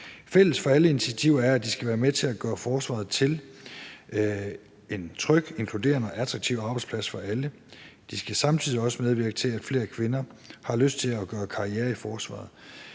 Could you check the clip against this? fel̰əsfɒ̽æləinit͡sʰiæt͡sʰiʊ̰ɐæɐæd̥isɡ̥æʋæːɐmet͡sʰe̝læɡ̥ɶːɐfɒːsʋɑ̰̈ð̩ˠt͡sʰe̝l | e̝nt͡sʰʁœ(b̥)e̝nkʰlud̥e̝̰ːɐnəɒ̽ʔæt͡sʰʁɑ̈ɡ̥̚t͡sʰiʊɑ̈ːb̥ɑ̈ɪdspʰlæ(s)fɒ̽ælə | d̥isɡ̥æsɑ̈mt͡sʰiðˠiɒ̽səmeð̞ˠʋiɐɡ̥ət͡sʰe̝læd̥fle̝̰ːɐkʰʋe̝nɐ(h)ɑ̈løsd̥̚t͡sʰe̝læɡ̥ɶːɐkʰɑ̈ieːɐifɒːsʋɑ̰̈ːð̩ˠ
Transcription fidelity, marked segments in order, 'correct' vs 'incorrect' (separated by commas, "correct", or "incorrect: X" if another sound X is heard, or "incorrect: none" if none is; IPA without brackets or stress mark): incorrect: ɡ̥, correct, correct